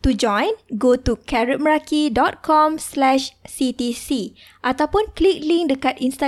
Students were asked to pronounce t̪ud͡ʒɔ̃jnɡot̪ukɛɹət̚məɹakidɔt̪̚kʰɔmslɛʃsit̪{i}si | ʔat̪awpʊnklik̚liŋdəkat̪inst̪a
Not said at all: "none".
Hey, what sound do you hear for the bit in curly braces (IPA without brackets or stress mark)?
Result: i